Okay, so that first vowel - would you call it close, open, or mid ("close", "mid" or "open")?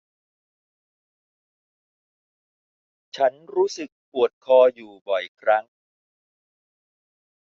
open